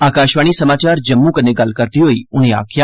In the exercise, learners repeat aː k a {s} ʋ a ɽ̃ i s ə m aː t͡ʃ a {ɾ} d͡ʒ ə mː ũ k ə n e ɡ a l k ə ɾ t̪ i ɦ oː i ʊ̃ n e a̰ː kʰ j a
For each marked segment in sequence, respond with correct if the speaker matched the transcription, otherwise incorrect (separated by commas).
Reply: incorrect, correct